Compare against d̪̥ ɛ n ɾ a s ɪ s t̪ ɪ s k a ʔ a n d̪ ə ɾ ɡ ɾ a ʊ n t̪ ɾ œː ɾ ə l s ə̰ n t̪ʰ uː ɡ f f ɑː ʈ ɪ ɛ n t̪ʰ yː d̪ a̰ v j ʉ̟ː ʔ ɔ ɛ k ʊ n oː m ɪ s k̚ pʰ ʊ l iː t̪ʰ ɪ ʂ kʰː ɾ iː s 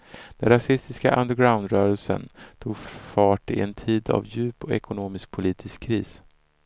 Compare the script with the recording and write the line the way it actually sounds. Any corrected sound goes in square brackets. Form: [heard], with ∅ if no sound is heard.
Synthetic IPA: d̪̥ ɛ n ɾ a s ɪ s t̪ ɪ s k a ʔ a n d̪ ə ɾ ɡ ɾ a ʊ n [d̪] ɾ œː ɾ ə l s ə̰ n t̪ʰ uː ɡ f f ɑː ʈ ɪ ɛ n t̪ʰ [iː] d̪ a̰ v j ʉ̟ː [p] ɔ ɛ k ʊ n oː m ɪ s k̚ pʰ ʊ l iː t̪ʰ ɪ [s] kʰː ɾ iː s